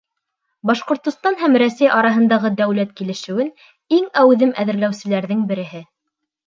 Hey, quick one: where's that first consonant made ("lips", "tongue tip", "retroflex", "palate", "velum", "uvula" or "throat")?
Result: lips